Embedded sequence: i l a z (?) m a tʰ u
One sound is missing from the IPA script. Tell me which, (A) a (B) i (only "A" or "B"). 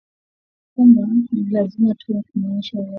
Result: B